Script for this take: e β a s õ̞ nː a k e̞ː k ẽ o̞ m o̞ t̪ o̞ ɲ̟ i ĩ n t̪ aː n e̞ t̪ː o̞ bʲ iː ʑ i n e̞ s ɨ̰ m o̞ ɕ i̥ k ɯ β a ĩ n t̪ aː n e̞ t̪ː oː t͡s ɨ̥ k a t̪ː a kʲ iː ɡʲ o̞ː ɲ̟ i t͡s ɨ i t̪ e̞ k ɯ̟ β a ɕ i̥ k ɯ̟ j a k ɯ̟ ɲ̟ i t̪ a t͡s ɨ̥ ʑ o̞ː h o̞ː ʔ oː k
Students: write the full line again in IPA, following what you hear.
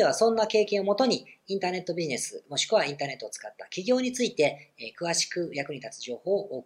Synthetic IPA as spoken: e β a s õ̞ nː a k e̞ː k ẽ o̞ m o̞ t̪ o̞ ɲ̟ i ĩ n t̪ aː n e̞ t̪ː o̞ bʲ i ʑ i n e̞ s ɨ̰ m o̞ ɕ i̥ k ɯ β a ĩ n t̪ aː n e̞ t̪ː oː t͡s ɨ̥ k a t̪ː a kʲ i ɡʲ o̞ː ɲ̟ i t͡s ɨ i t̪ e̞ k ɯ̟ β a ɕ i̥ k ɯ̟ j a k ɯ̟ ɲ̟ i t̪ a t͡s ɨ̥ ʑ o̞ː h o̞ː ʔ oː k